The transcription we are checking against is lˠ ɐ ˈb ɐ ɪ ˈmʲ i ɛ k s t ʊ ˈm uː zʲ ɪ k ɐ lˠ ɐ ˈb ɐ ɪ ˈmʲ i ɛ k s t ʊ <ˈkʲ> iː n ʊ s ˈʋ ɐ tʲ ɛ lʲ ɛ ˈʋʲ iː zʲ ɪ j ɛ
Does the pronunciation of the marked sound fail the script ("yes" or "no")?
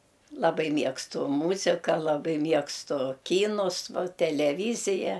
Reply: no